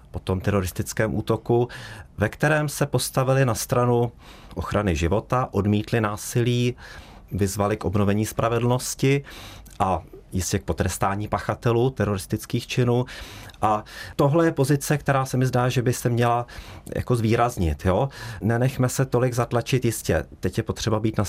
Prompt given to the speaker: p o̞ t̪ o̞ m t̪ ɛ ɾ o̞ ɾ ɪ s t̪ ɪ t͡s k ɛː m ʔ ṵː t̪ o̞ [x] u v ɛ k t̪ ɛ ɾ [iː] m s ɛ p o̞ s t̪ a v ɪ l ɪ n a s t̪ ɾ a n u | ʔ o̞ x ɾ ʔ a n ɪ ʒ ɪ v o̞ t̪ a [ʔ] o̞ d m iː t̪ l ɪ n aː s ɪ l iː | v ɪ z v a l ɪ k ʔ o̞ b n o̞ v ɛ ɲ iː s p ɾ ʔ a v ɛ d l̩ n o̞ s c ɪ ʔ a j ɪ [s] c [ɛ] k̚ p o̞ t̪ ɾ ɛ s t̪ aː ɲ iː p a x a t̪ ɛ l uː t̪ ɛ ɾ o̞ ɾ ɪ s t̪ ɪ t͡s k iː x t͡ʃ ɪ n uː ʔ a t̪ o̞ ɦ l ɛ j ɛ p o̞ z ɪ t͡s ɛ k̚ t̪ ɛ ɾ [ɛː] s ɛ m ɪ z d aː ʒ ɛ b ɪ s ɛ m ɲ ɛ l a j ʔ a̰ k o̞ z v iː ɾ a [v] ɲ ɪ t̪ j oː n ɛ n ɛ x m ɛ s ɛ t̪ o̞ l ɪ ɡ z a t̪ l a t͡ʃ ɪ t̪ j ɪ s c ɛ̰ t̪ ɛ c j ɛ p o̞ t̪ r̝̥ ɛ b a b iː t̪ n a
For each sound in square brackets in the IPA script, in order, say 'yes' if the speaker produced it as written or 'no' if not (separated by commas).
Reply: no, no, yes, yes, yes, no, no